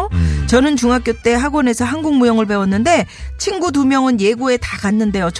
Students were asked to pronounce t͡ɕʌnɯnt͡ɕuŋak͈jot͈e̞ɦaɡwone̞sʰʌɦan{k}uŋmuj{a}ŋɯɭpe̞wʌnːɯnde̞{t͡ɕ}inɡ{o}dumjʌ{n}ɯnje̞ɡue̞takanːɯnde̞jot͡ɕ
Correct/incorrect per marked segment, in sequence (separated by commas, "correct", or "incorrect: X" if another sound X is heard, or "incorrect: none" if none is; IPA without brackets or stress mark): incorrect: ɡ, incorrect: ʌ, incorrect: t͡ɕʰ, incorrect: u, incorrect: ŋ